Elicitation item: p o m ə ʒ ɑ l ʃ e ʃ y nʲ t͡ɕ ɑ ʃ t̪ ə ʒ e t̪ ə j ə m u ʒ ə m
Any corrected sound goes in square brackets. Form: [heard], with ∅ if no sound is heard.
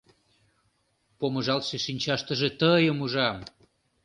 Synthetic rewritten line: p o m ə ʒ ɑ l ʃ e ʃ [i] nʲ t͡ɕ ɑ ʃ t̪ ə ʒ e t̪ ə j ə m u ʒ [ɑ] m